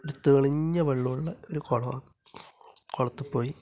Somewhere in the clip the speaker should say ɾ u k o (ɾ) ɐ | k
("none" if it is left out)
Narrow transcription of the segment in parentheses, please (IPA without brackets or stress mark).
ɭ